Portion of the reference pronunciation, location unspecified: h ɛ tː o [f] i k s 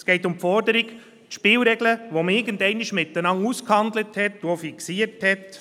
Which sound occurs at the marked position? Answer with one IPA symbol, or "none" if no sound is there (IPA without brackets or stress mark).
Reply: f